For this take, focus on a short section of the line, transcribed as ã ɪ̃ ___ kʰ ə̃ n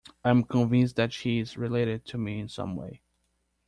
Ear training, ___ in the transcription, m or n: m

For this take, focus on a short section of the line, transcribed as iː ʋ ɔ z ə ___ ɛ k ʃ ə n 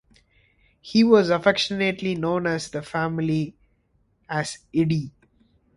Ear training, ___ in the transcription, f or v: f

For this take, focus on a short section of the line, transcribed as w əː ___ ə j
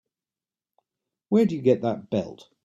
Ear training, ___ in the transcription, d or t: d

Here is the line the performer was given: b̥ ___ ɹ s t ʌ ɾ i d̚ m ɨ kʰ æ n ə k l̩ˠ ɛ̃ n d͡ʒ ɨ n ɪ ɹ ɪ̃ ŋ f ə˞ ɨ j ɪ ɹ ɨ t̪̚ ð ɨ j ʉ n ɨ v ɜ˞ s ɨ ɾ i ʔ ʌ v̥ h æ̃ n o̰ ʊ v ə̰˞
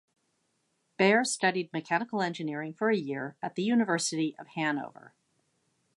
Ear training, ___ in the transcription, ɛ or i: ɛ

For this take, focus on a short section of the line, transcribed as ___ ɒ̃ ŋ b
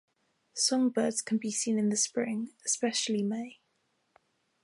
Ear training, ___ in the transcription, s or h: s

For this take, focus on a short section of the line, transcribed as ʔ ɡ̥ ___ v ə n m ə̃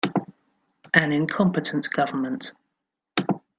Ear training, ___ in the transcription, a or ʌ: ʌ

